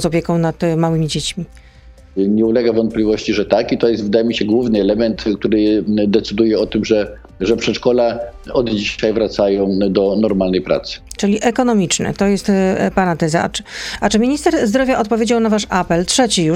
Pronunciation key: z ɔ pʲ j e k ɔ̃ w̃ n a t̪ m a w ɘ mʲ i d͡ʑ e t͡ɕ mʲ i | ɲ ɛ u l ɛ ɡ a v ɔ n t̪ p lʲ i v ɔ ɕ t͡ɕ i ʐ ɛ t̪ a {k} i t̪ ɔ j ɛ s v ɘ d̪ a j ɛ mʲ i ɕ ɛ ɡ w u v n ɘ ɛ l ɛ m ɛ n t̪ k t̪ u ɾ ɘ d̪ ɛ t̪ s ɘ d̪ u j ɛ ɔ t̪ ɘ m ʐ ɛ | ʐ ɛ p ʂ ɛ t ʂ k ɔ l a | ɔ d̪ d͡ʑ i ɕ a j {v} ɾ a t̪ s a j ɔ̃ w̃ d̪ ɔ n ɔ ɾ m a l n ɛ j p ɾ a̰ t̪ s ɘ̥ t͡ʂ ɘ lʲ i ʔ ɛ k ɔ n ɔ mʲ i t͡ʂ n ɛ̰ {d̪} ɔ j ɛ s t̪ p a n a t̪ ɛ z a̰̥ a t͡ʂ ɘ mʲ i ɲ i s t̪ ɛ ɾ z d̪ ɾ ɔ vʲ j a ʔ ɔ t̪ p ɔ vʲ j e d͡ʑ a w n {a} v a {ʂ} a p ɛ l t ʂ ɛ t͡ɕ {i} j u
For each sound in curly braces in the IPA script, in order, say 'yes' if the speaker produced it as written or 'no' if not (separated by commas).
yes, yes, no, yes, yes, yes